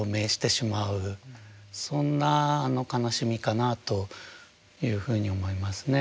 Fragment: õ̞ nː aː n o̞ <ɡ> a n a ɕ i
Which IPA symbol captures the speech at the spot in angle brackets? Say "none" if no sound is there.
k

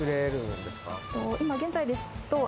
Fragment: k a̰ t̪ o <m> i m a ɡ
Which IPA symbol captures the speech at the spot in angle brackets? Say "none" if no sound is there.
none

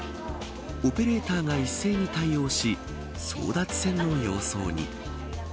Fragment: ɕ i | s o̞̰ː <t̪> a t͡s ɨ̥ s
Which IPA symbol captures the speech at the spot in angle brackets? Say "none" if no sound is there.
d̪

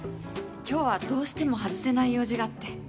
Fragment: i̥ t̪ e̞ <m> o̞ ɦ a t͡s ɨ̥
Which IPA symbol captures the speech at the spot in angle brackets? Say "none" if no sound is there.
m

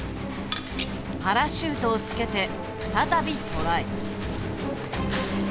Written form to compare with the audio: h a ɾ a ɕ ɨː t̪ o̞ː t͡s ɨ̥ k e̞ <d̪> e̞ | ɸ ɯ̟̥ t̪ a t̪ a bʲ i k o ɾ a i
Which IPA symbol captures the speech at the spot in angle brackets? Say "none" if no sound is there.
t̪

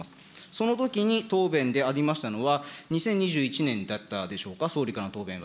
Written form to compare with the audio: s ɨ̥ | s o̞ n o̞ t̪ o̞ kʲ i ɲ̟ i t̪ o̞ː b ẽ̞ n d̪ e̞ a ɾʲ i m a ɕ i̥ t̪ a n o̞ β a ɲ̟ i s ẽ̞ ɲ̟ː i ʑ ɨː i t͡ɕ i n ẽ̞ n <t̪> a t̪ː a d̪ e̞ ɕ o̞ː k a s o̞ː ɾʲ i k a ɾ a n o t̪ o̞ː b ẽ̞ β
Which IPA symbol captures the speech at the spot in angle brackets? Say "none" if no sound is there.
d̪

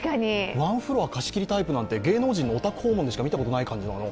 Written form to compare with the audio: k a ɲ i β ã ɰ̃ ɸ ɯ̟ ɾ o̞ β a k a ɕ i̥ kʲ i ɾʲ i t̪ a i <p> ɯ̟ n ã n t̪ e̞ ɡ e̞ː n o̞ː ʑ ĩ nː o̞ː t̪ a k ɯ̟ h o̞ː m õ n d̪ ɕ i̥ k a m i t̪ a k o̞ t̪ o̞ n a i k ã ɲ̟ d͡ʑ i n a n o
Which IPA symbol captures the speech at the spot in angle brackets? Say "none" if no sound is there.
p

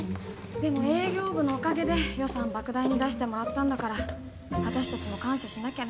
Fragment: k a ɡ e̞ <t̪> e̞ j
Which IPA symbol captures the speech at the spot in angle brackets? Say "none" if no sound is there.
d̪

